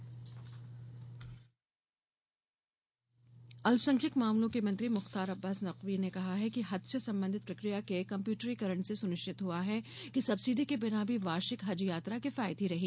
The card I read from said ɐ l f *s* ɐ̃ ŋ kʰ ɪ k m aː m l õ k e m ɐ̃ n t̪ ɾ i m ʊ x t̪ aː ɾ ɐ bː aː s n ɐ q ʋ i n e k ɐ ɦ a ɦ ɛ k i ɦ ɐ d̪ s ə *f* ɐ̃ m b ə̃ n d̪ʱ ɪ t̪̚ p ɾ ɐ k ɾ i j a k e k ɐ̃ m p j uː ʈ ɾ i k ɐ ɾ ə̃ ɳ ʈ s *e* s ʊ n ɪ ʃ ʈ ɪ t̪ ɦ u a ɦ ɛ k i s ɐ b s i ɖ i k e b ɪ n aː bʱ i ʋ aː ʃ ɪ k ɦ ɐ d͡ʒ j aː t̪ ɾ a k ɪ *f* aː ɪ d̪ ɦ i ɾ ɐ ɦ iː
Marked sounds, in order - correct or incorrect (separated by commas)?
correct, incorrect, correct, correct